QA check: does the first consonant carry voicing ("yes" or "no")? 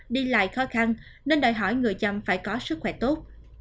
yes